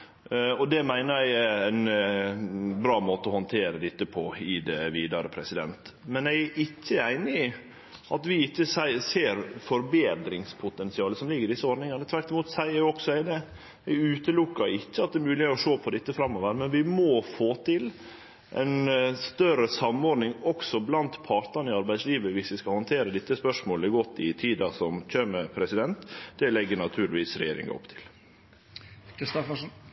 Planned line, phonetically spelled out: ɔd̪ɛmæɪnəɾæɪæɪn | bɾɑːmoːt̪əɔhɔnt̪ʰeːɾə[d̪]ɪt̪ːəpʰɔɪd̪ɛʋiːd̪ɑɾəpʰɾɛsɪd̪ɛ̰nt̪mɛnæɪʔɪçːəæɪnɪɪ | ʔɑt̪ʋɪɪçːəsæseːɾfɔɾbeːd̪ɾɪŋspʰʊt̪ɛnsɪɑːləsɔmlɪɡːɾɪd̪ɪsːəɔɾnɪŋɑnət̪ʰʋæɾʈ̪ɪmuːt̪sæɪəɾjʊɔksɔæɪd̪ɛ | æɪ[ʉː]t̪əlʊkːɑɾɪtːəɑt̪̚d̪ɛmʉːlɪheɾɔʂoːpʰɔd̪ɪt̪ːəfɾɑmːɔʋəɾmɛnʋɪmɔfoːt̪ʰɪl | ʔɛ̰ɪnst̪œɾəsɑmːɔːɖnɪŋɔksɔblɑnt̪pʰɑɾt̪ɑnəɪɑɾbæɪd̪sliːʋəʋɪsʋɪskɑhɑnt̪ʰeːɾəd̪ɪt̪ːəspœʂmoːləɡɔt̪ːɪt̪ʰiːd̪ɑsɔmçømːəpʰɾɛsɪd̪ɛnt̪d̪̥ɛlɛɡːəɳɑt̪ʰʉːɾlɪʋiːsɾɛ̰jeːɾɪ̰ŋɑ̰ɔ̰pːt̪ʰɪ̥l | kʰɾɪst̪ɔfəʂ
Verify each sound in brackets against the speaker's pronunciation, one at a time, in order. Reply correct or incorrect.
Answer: correct, correct

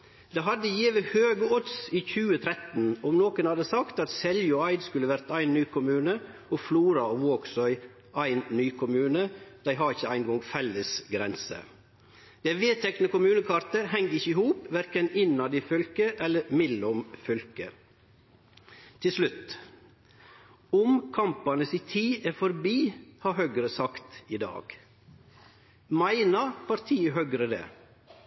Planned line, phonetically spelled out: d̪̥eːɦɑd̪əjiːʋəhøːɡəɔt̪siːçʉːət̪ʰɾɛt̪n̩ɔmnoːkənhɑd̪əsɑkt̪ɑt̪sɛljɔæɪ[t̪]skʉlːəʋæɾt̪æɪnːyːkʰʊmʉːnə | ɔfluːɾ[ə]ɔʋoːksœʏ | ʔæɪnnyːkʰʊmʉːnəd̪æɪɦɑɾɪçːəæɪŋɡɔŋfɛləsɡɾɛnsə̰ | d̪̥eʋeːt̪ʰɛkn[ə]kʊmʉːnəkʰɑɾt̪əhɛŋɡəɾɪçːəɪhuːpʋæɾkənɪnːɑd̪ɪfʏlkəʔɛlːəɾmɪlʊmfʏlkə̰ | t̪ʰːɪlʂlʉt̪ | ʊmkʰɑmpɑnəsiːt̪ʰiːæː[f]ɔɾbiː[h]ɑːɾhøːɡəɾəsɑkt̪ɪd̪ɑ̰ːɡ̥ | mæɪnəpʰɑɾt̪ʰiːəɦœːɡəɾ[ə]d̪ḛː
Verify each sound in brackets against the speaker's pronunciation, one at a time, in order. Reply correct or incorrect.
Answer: incorrect: d̪, incorrect: ɑ, correct, correct, correct, correct

